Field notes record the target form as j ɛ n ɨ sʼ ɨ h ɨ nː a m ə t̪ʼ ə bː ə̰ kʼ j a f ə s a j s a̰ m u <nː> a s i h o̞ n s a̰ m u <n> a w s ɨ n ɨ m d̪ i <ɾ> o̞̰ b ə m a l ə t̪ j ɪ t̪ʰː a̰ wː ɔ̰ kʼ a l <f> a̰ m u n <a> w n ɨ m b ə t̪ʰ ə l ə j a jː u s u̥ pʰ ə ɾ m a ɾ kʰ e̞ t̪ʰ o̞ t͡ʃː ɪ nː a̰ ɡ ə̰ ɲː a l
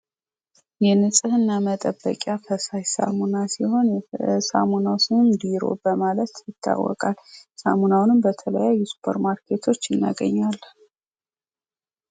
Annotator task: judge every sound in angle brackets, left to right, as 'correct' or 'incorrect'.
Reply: incorrect, correct, correct, incorrect, correct

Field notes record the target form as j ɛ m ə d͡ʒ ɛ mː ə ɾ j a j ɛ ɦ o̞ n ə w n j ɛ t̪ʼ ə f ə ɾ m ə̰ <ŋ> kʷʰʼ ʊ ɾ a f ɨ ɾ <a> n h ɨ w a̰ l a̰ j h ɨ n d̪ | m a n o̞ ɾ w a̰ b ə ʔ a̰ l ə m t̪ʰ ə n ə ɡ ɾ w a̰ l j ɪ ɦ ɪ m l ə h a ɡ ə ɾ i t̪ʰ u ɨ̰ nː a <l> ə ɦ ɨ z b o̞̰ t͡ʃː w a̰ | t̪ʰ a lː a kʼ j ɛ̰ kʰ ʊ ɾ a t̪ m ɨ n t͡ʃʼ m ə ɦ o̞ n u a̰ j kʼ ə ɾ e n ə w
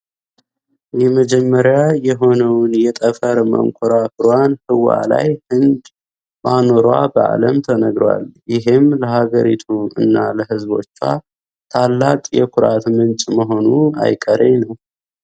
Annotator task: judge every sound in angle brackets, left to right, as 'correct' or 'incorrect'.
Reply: correct, correct, correct

